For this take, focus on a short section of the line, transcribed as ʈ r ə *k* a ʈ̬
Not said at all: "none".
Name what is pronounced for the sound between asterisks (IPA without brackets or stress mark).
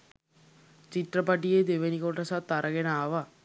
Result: p